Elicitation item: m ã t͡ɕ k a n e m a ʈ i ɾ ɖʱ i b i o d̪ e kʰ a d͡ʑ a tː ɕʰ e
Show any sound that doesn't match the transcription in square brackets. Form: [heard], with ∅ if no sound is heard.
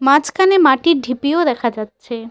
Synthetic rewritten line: m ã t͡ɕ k a n e m a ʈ i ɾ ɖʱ i [p] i o d̪ [ɛ] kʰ a d͡ʑ a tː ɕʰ e